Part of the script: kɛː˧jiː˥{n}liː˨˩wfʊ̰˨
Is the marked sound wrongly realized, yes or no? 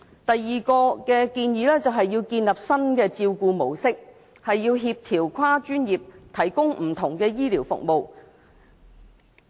yes